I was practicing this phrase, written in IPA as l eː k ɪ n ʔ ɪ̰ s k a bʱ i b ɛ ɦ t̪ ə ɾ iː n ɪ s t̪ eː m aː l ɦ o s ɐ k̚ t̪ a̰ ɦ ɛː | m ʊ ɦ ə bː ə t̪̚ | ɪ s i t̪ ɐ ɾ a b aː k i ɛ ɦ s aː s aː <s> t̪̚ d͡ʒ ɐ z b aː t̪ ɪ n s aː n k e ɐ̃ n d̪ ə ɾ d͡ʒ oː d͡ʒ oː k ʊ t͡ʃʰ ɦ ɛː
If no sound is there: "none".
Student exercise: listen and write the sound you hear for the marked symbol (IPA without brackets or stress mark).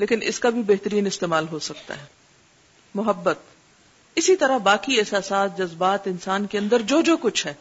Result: none